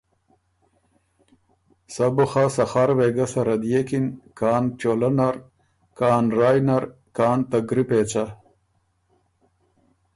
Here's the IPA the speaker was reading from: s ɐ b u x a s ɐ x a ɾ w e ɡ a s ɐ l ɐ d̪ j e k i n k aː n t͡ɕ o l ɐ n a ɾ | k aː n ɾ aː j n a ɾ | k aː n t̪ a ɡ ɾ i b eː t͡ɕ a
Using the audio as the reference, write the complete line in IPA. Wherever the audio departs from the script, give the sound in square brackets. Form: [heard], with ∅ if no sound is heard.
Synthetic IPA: s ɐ b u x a s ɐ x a ɾ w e ɡ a s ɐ [ɾ] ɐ d̪ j e k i n k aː n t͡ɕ o l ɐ n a ɾ | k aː n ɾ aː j n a ɾ | k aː n t̪ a ɡ ɾ i [p] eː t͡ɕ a

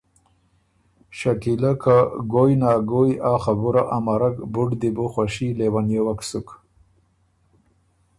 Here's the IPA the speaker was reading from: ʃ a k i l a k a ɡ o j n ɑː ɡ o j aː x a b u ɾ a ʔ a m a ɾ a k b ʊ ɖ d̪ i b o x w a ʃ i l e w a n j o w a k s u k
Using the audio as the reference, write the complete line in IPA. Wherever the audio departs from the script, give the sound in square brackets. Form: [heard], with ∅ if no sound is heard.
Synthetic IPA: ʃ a k i l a k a ɡ o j n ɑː ɡ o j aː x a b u ɾ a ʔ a m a ɾ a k b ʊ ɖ d̪ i b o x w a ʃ i l e w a n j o w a k s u k

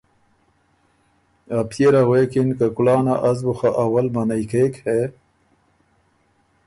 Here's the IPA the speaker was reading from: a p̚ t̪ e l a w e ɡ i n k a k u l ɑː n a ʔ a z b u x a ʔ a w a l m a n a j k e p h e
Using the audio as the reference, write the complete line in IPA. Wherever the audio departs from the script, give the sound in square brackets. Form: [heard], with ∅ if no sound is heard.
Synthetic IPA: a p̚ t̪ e [ɾ] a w e [k] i n k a k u l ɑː n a ʔ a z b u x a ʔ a w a l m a n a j k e [k] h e

